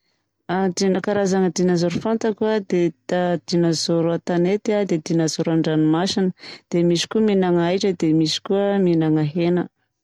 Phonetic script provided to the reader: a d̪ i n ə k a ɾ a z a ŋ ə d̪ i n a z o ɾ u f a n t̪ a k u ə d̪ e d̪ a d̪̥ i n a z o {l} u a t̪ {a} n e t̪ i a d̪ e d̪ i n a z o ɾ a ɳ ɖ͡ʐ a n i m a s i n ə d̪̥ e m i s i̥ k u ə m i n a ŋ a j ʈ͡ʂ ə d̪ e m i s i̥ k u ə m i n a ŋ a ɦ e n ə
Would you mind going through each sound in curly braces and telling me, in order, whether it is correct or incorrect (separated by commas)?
incorrect, correct